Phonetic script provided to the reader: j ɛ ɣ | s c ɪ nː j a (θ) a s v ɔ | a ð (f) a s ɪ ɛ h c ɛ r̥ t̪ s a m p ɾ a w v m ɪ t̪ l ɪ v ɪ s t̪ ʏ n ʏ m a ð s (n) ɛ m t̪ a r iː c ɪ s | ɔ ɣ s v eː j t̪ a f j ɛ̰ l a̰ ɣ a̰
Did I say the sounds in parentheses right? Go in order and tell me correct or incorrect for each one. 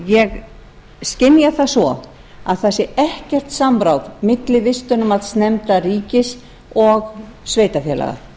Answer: correct, incorrect: θ, correct

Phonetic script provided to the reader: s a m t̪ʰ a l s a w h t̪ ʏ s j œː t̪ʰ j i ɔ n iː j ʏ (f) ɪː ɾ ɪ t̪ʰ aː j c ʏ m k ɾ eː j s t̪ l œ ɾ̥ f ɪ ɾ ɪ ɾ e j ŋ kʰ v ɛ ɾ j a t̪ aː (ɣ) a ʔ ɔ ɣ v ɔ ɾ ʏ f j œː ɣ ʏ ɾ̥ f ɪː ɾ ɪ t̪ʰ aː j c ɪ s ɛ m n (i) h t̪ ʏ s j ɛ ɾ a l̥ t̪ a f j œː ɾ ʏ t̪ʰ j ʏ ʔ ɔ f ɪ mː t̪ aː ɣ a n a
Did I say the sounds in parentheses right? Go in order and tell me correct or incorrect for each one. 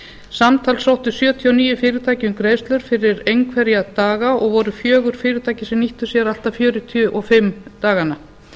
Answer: correct, correct, correct

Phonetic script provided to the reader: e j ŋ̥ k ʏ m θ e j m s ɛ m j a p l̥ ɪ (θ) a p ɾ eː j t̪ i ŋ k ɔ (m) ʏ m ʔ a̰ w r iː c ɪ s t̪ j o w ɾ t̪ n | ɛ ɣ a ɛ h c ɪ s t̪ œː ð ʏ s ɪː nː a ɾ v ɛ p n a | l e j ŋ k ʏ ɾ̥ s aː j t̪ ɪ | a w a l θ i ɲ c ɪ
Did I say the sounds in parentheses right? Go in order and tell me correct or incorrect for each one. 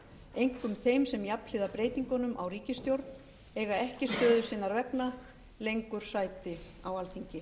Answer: incorrect: ð, incorrect: n

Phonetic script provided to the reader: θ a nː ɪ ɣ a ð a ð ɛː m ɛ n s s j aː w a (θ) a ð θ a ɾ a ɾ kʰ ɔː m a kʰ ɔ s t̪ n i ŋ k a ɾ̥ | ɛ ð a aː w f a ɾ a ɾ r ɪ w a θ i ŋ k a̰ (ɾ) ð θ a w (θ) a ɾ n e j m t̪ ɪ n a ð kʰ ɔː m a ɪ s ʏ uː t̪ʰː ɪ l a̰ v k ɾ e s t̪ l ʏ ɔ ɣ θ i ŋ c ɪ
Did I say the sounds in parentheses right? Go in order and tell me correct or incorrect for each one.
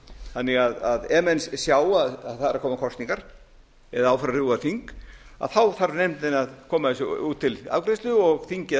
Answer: incorrect: ð, incorrect: none, correct

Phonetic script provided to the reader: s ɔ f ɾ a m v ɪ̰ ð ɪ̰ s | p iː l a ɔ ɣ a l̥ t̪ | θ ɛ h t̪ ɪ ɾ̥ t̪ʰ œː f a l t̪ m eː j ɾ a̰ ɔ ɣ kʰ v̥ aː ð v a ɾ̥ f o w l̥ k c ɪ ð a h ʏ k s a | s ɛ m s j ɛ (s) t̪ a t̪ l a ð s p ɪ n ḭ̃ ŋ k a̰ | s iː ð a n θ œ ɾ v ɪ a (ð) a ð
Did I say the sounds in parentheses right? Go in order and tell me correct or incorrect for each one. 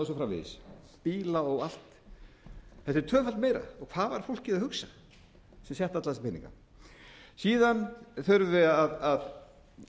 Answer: incorrect: h, correct

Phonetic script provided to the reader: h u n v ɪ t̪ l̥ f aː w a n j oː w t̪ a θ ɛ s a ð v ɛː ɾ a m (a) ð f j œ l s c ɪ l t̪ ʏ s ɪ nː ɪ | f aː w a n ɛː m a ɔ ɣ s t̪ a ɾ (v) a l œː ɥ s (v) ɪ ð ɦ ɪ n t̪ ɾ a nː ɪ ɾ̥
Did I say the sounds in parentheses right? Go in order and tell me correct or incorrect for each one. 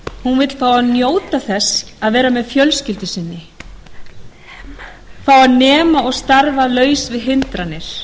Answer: incorrect: ɛ, correct, correct

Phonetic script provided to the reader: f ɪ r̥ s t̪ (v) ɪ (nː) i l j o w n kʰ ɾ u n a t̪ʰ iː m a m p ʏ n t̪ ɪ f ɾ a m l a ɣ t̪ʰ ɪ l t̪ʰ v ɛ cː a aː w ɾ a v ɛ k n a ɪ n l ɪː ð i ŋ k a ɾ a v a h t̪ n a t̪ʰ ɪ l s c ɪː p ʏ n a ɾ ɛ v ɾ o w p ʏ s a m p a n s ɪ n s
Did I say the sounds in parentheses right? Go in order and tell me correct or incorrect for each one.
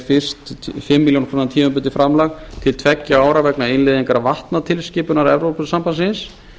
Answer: incorrect: f, incorrect: mː

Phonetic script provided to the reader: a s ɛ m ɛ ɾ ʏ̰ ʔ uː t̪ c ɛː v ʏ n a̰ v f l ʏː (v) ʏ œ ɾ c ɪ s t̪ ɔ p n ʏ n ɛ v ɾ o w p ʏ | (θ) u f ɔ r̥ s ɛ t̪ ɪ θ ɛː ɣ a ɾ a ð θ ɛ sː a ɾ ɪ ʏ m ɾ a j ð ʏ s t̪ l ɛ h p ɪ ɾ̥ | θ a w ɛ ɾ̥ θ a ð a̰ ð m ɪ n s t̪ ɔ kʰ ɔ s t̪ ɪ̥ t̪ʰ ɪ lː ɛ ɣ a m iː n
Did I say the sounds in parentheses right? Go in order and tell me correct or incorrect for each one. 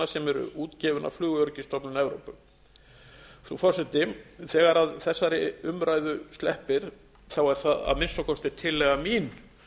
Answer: incorrect: ɣ, correct

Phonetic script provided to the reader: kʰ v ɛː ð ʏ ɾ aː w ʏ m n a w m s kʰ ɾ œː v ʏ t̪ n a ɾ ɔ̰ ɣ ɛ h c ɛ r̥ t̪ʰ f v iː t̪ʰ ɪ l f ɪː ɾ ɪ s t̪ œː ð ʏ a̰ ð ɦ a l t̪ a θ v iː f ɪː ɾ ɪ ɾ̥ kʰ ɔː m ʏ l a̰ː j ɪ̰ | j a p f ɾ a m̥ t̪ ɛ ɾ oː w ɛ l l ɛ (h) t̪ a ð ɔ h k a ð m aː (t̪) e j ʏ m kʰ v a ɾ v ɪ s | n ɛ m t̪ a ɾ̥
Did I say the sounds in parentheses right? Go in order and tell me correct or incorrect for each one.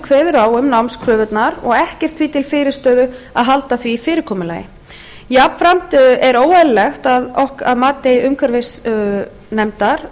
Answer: incorrect: x, correct

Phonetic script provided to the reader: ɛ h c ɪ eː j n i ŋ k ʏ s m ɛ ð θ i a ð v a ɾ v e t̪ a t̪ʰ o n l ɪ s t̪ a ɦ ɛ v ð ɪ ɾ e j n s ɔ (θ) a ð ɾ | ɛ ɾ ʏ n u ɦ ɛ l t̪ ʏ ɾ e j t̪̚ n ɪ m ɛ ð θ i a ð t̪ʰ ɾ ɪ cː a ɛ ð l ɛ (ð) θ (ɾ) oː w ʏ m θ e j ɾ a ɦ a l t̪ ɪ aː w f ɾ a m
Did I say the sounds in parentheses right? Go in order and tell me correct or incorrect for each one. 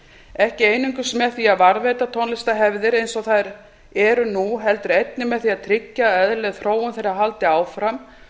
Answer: correct, incorrect: ɣ, correct

